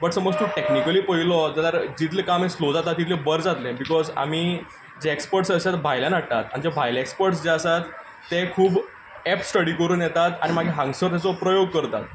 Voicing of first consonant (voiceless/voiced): voiced